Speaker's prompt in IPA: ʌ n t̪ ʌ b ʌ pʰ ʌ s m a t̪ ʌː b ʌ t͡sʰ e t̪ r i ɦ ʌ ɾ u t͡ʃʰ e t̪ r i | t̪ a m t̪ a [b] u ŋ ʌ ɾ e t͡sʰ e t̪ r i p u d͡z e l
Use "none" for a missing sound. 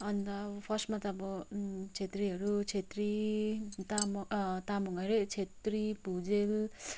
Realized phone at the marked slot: m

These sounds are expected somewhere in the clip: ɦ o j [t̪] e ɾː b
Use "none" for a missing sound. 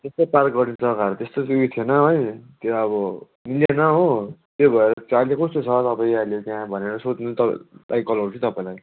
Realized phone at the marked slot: t̪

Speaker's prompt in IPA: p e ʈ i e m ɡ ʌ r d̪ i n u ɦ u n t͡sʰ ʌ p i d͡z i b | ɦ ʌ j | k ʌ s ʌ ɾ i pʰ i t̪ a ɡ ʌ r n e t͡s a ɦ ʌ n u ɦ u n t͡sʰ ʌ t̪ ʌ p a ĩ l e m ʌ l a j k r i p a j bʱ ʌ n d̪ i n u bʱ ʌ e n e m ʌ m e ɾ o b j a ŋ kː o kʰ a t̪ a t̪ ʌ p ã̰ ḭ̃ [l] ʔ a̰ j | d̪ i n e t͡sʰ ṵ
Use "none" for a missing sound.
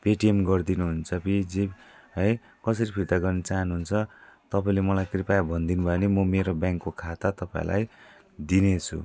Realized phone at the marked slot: l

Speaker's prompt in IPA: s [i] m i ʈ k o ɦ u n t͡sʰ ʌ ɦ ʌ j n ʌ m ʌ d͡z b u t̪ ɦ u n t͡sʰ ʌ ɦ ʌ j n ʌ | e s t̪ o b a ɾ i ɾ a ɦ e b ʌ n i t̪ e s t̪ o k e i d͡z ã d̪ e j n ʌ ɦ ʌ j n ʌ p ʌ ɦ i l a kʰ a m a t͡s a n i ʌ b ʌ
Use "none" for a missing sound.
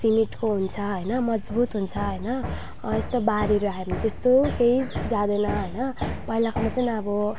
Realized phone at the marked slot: i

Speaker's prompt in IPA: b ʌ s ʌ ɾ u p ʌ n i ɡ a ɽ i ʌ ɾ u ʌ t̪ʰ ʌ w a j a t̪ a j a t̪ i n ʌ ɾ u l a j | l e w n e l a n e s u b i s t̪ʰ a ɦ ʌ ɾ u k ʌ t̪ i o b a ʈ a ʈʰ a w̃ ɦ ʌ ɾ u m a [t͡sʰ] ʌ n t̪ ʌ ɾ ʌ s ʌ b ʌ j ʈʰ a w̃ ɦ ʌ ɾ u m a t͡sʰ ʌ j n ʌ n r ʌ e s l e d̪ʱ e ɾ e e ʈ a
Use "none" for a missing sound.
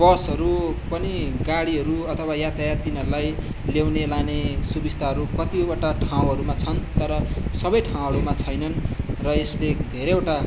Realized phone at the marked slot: t͡sʰ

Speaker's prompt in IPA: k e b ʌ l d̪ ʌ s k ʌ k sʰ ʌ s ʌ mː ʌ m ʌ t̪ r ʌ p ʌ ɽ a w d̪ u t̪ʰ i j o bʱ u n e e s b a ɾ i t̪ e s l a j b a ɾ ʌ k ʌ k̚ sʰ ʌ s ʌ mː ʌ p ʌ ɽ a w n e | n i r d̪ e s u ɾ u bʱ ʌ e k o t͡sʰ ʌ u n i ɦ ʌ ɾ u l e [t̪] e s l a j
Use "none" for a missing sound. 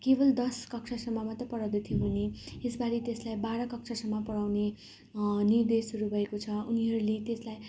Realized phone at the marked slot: t̪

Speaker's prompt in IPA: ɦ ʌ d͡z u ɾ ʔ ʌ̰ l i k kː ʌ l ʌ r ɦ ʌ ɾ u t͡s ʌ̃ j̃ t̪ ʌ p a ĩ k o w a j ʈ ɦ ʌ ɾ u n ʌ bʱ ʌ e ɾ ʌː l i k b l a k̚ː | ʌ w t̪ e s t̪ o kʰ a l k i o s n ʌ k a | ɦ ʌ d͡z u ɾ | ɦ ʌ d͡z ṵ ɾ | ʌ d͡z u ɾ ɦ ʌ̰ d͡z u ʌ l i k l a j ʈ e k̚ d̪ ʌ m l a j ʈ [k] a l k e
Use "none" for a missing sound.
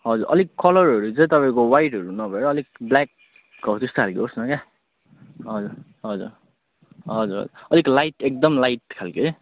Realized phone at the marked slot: kʰ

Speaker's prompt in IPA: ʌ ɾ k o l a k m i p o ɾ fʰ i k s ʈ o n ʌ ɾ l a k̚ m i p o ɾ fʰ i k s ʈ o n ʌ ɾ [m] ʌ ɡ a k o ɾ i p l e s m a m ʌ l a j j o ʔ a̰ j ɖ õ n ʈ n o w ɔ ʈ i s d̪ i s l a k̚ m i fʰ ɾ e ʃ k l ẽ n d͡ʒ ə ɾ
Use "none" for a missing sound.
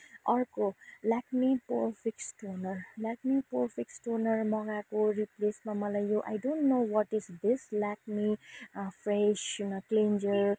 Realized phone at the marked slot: m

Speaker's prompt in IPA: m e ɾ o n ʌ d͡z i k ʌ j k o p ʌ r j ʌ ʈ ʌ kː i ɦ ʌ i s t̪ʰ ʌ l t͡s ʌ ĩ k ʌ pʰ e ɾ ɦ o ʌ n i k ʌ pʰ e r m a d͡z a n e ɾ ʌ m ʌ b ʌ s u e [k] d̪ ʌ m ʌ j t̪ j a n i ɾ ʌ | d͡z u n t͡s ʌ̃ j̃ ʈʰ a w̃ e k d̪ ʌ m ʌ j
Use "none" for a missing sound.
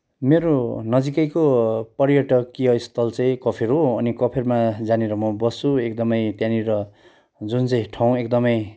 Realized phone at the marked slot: k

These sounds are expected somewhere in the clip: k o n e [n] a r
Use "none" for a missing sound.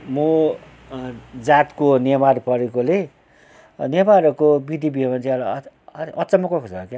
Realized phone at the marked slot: m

